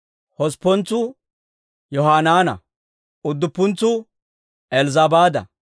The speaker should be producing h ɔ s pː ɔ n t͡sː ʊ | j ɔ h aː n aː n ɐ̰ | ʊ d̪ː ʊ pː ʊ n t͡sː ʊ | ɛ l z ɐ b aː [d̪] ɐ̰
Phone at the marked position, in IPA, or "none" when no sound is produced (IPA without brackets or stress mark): d̪